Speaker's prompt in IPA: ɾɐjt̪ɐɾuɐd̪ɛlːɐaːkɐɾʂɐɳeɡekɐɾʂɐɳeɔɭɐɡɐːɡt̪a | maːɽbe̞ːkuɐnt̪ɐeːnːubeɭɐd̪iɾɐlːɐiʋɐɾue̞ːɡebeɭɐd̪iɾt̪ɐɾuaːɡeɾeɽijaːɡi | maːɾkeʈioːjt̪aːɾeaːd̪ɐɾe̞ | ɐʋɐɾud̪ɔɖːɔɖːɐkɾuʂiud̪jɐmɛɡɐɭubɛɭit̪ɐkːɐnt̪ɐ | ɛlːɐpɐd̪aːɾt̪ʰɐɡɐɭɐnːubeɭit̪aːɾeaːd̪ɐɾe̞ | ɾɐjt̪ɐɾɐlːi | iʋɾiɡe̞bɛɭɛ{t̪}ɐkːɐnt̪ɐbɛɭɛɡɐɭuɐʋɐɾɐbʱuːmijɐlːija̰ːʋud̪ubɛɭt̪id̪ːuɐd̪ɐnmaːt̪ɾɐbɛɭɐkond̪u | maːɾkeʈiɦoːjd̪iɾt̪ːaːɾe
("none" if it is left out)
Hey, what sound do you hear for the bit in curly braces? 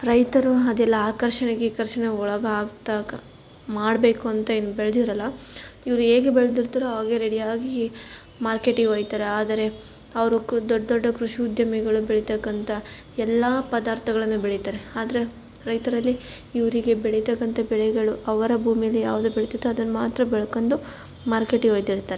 t̪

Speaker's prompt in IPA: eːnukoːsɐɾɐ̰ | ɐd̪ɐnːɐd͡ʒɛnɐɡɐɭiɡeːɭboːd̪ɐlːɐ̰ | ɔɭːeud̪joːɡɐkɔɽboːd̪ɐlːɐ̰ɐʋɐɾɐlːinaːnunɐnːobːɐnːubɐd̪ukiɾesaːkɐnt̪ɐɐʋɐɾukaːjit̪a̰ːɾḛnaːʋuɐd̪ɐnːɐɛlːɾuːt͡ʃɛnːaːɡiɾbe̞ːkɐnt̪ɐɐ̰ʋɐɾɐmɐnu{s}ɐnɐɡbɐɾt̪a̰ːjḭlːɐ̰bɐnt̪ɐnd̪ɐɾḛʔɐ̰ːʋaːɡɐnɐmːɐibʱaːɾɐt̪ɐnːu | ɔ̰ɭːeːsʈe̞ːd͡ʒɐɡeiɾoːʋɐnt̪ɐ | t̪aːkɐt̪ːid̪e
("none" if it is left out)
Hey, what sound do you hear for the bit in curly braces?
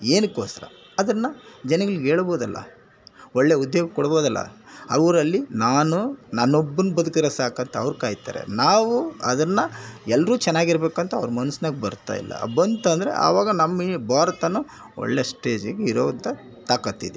s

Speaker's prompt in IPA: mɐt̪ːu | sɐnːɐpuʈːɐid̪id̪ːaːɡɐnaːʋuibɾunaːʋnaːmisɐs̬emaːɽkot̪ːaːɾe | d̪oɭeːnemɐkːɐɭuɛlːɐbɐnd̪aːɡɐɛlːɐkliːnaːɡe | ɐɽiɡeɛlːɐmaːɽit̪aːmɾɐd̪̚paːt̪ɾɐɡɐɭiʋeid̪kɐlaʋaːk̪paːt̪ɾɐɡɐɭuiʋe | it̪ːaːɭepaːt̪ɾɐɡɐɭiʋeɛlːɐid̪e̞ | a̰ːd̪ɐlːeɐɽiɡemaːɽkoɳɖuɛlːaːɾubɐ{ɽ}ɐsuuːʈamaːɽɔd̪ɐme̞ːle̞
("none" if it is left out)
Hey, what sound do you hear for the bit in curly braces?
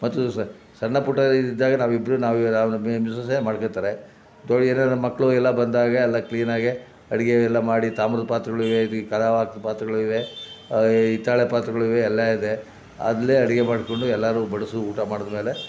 ɽ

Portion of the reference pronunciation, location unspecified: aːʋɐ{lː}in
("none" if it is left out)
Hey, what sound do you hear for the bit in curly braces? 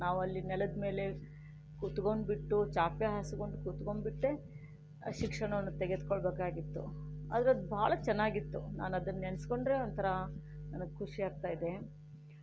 lː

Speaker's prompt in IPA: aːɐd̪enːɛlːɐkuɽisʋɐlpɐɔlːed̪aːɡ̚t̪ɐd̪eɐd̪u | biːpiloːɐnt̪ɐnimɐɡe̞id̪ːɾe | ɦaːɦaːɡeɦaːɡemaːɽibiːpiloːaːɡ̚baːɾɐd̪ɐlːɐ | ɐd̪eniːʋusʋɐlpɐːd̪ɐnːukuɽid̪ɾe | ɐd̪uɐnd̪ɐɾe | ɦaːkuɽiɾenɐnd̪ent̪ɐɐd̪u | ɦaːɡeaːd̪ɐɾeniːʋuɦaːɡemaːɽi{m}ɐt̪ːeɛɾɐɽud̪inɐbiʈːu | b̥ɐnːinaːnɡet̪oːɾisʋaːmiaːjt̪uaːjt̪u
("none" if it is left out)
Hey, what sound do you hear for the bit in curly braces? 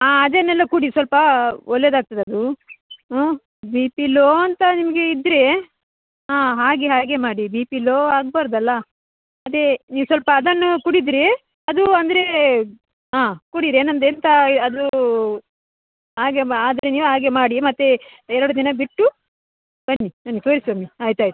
m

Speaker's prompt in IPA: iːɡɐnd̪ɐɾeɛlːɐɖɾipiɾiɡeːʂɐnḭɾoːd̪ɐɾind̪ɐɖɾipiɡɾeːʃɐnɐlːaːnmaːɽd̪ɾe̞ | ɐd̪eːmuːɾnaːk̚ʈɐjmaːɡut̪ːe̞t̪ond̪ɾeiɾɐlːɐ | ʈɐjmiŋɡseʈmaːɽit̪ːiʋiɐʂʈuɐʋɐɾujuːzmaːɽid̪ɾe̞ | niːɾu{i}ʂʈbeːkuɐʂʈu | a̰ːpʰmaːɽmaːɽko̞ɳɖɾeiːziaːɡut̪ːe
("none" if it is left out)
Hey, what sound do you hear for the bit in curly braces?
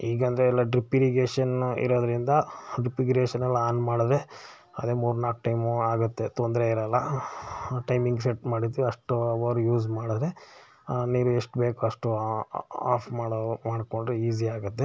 e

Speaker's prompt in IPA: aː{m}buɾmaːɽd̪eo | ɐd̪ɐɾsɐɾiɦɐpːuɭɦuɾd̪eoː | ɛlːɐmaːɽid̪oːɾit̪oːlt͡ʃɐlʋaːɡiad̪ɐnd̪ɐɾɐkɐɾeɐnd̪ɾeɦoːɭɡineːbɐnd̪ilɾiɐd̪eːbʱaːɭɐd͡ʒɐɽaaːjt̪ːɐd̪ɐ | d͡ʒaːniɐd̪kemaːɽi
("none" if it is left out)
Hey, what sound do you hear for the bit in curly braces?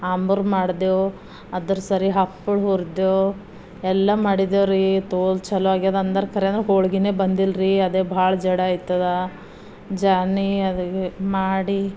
m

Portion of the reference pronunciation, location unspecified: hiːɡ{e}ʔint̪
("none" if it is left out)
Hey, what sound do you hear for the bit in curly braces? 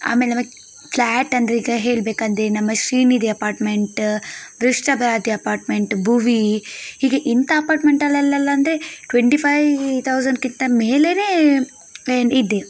e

